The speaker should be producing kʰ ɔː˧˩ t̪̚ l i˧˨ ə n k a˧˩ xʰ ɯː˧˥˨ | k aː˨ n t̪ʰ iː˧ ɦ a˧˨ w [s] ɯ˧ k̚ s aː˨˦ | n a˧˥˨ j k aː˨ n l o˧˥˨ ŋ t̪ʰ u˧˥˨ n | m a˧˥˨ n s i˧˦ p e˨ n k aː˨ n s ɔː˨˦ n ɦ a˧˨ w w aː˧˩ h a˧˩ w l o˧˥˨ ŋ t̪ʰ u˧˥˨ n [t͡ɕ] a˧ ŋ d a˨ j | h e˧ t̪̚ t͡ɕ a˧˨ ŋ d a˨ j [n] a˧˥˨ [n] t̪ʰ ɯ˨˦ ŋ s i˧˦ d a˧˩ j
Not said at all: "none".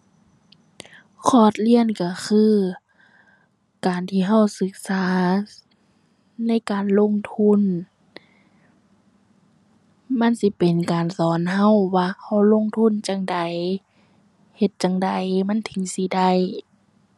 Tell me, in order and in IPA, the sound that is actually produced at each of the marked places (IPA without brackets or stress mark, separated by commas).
s, t͡ɕ, m, n